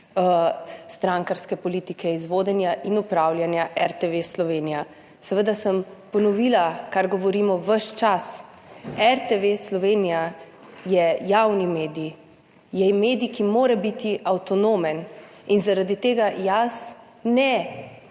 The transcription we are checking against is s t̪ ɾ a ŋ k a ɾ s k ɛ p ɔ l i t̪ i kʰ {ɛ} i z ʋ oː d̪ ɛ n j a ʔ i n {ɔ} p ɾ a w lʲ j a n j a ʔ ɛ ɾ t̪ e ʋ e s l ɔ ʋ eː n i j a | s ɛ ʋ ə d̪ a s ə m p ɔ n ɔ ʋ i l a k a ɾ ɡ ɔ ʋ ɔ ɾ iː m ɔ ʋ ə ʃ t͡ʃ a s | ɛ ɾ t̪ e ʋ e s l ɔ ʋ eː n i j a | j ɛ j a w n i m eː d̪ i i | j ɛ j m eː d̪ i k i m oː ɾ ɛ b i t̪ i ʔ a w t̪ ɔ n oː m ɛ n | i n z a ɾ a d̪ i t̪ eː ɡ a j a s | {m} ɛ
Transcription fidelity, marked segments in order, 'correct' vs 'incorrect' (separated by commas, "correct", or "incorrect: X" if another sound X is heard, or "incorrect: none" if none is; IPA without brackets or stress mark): correct, incorrect: u, incorrect: n